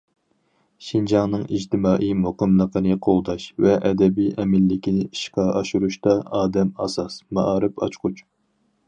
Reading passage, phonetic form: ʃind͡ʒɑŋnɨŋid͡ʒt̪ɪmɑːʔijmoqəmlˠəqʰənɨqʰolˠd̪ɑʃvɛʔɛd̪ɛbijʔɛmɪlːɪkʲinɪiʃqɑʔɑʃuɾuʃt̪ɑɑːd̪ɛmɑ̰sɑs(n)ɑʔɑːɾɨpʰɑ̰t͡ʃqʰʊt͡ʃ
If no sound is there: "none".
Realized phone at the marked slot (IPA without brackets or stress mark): m